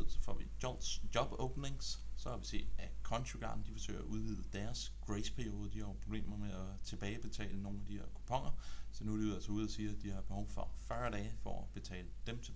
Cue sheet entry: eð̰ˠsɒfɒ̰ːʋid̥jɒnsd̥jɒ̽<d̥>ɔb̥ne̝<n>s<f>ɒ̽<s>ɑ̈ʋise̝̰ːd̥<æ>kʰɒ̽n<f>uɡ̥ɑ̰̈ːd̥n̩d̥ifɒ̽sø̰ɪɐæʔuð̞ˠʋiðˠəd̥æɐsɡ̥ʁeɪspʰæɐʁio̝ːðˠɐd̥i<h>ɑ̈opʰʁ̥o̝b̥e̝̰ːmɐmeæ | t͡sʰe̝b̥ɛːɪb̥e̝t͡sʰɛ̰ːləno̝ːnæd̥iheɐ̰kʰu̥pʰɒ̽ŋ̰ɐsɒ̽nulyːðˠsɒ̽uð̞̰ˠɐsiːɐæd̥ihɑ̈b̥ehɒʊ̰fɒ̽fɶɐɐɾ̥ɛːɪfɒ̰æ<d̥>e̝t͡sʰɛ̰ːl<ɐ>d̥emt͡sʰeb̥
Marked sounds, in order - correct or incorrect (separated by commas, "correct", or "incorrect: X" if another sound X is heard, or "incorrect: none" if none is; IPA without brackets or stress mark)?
incorrect: b̥, incorrect: ŋ, incorrect: s, incorrect: h, correct, incorrect: ɕ, correct, incorrect: b̥, incorrect: ə